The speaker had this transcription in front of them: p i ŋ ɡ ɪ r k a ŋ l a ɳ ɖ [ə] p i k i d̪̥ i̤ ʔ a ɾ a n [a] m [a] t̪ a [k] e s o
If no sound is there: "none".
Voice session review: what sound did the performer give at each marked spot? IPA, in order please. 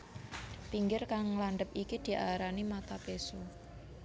ə, i, a, p

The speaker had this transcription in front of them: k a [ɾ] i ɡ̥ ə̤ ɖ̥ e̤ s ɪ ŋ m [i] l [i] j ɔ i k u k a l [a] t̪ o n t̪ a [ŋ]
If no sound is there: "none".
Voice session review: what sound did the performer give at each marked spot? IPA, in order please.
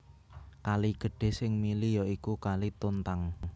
l, i, i, i, ŋ

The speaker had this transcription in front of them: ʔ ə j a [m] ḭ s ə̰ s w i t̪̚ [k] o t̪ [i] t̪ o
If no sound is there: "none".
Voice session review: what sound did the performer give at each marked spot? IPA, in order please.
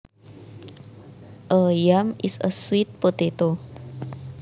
m, p, e

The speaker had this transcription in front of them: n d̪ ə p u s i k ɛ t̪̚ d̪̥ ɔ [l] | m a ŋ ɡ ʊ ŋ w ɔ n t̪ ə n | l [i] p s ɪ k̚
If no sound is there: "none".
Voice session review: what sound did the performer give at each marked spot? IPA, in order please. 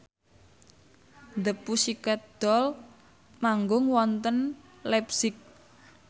l, ɛ

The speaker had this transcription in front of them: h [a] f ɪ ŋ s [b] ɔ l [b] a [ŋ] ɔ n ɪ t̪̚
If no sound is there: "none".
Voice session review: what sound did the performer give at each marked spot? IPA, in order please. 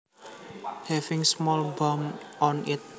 ɛ, m, b, m

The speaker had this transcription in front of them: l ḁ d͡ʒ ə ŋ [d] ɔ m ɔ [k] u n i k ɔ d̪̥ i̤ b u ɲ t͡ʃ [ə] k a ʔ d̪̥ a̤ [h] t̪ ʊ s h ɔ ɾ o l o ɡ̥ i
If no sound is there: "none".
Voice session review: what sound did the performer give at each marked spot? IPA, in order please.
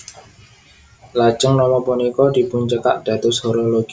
n, p, ə, none

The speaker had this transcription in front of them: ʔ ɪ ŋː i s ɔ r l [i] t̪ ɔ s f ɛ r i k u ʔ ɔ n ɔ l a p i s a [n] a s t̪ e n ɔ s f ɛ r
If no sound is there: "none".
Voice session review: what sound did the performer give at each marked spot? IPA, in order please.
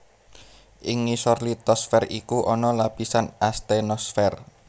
i, n

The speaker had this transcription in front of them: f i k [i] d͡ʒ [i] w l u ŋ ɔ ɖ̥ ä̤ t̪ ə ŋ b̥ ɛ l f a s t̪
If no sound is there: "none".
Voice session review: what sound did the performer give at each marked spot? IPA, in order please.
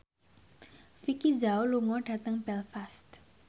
i, a

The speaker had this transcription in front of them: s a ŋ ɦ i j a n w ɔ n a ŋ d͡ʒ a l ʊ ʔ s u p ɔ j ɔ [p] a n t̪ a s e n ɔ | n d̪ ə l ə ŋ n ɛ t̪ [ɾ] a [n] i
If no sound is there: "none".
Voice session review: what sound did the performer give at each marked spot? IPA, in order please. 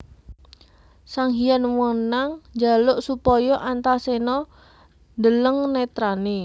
ʔ, ɾ, n

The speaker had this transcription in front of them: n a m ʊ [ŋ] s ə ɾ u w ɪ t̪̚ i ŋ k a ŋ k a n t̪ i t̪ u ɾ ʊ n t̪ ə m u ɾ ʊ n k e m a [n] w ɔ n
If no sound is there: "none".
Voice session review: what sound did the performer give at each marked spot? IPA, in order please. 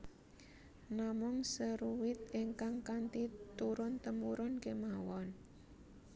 ŋ, none

